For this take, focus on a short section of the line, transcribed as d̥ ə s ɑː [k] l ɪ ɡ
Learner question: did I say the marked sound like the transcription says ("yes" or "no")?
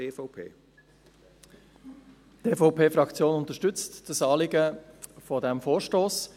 no